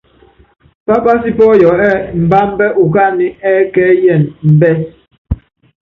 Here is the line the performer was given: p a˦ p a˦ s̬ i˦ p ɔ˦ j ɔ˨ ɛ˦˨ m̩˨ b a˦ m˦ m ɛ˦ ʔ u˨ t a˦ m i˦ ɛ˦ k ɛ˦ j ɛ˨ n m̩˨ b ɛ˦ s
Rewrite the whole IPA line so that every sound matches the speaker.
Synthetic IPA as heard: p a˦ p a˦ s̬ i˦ p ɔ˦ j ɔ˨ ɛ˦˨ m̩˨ b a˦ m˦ b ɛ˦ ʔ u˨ k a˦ n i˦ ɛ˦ k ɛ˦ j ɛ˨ n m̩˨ b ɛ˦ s